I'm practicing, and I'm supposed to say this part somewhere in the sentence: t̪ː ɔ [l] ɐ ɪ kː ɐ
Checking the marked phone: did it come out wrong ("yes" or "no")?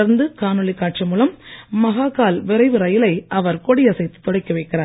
yes